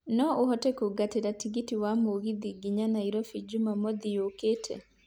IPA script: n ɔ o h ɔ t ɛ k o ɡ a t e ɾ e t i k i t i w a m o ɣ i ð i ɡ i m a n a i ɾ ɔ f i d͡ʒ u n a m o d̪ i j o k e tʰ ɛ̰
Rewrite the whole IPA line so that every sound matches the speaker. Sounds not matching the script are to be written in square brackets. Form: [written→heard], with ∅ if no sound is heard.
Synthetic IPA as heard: n ɔ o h ɔ t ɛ k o ɡ a t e ɾ [e→a] t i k i t i w a m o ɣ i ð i ɡ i [m→ɲ] a n a i ɾ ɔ f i d͡ʒ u [n→m] a m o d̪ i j o k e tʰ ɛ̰

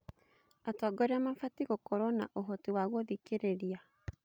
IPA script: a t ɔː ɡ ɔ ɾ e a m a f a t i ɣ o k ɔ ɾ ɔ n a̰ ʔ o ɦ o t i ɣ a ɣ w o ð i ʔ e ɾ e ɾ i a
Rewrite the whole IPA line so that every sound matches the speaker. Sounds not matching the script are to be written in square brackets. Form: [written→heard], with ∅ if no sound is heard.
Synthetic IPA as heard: a t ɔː ɡ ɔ ɾ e a m a f a t i ɣ o k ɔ ɾ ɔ n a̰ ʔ o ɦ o t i [ɣ→w] a ɣ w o ð i [ʔ→k] e ɾ e ɾ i a

